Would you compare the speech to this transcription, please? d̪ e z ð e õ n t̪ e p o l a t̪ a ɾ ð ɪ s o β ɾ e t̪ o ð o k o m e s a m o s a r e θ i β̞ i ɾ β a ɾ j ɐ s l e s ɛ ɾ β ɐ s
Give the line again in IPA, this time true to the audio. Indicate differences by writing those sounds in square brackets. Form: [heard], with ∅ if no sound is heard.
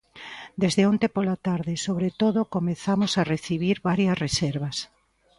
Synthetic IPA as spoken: d̪ e z ð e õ n t̪ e p o l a t̪ a ɾ ð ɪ s o β ɾ e t̪ o ð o k o m e [θ] a m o s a r e θ i β̞ i ɾ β a ɾ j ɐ s [r] e s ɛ ɾ β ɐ s